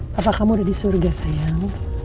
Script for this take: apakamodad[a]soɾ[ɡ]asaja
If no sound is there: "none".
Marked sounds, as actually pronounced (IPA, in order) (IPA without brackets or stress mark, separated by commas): i, ɡ